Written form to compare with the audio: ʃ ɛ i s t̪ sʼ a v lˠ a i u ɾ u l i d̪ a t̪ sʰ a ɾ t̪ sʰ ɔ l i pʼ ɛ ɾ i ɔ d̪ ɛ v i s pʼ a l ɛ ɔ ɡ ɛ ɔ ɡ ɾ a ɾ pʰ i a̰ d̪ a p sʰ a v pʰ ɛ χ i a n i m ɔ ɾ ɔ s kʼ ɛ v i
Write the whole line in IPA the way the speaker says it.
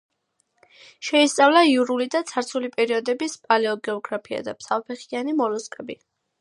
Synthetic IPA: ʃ ɛ i s t̪ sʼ a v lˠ a i u ɾ u l i d̪ a t̪ sʰ a ɾ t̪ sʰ u l i pʼ ɛ ɾ i ɔ d̪ ɛ b i s pʼ a l ɛ ɔ ɡ ɛ ɔ ɡ ɾ a pʰ i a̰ d̪ a p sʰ a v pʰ ɛ χ i a n i m ɔ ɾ ɔ s kʼ ɛ b i